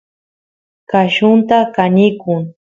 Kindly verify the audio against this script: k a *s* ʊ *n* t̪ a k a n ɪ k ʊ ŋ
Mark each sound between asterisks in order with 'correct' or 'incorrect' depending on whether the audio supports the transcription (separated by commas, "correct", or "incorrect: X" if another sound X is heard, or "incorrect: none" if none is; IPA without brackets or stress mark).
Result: incorrect: ʃ, correct